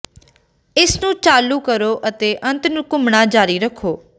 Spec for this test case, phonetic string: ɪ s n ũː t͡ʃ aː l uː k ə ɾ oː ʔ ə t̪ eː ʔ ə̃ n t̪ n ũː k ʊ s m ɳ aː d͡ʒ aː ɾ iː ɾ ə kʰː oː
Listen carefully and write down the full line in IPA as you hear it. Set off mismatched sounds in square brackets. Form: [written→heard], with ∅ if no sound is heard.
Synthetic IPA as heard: ɪ s n ũː t͡ʃ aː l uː k ə ɾ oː ʔ ə t̪ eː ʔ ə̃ n t̪ n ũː k ʊ [s→∅] m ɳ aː d͡ʒ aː ɾ iː ɾ ə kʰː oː